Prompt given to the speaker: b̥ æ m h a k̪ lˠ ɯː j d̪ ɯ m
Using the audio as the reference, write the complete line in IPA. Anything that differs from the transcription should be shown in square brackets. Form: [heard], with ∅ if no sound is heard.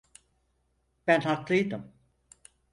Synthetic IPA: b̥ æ [n] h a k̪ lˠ [ɯ] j d̪ ɯ m

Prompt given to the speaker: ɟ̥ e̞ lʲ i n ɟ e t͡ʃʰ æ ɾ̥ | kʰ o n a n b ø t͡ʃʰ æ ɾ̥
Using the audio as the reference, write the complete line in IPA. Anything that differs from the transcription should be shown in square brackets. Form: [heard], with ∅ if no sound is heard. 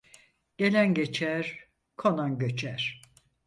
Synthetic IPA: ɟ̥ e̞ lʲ [æ] n ɟ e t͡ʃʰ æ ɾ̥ | kʰ o n a n [ɟ] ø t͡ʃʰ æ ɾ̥

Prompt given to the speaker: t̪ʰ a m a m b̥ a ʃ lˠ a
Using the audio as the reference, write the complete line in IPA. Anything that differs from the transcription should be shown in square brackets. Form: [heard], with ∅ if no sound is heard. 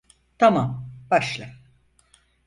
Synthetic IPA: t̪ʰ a m a m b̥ a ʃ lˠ a

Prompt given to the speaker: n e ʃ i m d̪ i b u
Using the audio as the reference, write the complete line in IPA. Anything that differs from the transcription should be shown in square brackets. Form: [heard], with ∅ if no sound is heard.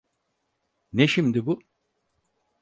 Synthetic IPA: n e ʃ i m d̪ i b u

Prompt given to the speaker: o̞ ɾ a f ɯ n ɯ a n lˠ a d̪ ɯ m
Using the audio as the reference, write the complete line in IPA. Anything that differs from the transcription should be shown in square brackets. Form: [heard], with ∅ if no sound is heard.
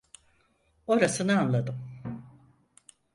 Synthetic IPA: o̞ ɾ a [s] ɯ n ɯ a n lˠ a d̪ ɯ m

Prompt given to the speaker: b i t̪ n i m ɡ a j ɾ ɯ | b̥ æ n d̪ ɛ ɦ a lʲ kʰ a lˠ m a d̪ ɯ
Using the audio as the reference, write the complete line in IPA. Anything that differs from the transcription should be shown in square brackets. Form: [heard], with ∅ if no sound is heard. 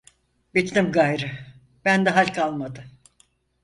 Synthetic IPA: b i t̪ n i m ɡ a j ɾ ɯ | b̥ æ n d̪ ɛ ɦ a lʲ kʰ a lˠ m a d̪ ɯ

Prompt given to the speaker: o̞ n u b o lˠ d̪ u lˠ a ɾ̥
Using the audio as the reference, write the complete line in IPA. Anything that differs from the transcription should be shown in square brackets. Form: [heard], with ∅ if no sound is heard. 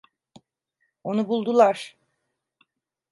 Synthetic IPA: o̞ n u b [u] lˠ d̪ u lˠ a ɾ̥

